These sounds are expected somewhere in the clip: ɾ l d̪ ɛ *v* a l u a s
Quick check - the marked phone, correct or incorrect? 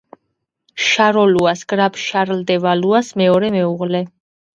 correct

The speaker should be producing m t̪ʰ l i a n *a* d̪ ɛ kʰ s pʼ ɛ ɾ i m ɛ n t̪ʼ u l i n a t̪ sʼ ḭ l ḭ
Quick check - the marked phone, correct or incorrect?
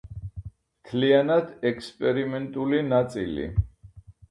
correct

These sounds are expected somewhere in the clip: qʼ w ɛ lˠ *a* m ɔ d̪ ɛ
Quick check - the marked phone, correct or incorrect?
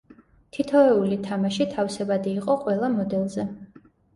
correct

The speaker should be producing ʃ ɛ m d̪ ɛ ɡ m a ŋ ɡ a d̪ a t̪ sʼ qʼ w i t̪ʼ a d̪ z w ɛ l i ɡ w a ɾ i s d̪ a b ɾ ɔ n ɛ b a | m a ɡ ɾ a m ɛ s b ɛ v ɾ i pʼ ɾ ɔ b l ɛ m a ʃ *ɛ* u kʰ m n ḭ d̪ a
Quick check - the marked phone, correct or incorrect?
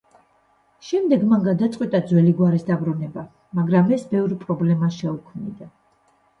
correct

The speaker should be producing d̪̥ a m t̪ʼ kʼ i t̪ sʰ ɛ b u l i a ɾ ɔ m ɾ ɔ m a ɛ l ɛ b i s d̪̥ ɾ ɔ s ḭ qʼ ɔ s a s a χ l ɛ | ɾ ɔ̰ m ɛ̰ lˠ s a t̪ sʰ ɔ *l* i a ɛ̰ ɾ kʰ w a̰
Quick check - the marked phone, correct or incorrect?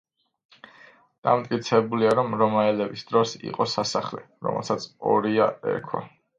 incorrect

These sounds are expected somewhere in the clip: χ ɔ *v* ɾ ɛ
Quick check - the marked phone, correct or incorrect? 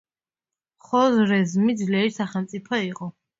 incorrect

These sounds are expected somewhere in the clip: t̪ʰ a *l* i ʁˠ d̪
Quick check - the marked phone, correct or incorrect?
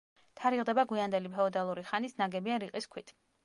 incorrect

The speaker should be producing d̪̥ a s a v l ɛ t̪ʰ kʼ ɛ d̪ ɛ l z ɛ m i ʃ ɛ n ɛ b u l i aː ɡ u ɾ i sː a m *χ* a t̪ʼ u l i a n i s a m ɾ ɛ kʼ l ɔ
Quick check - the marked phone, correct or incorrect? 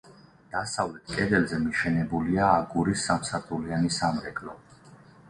incorrect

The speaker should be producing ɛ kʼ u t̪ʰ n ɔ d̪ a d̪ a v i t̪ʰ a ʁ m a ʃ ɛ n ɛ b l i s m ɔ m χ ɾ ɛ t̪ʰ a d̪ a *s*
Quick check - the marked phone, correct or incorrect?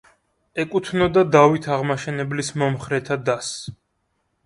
correct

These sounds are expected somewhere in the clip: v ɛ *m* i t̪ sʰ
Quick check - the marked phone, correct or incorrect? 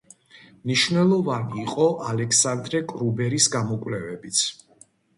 incorrect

